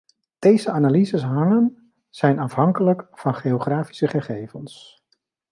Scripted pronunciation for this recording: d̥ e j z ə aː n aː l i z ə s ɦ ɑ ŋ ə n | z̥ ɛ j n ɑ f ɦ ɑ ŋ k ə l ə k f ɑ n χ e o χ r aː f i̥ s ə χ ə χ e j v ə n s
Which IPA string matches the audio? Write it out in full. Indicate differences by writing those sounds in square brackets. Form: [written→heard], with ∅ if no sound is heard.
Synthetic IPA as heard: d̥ e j z ə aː n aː l i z ə s ɦ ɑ ŋ ə n | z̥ ɛ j n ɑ f ɦ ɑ ŋ k ə l ə k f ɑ n χ e o χ r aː f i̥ s ə χ ə χ e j v ə n s